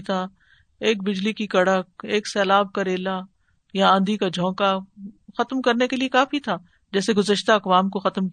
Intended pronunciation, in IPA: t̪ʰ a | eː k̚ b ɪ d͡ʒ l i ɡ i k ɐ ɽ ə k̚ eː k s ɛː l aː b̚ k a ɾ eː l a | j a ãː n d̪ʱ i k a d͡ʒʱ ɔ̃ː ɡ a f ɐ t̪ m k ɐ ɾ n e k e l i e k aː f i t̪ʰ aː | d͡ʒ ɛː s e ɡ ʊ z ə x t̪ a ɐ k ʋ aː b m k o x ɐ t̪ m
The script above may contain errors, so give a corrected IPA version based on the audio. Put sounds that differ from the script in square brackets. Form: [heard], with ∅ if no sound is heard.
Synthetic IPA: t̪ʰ a | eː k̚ b ɪ d͡ʒ l i [k] i k ɐ ɽ ə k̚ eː k s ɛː l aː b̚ k a ɾ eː l a | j a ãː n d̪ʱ i k a d͡ʒʱ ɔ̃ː [k] a [x] ɐ t̪ m k ɐ ɾ n e k e l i e k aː f i t̪ʰ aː | d͡ʒ ɛː s e ɡ ʊ z ə [ʃ] t̪ a ɐ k ʋ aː [∅] m k o x ɐ t̪ m